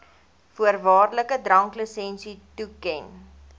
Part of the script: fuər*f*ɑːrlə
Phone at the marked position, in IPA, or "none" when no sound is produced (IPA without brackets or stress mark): v